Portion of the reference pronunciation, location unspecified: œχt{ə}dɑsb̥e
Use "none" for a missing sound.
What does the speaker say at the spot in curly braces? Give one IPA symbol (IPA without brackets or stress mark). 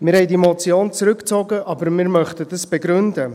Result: ə